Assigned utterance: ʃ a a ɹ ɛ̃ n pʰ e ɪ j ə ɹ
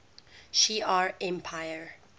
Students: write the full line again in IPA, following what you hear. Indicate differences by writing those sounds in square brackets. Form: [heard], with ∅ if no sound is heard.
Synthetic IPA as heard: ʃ [i] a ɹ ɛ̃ [m] pʰ [a] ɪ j ə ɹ